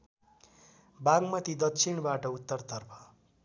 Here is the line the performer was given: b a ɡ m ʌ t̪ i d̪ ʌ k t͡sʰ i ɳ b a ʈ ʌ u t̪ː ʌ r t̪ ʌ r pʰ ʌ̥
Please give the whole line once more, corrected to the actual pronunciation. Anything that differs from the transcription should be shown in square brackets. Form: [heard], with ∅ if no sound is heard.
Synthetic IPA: b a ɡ m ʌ t̪ i d̪ ʌ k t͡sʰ i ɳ b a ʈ ʌ u t̪ː ʌ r t̪ ʌ r pʰ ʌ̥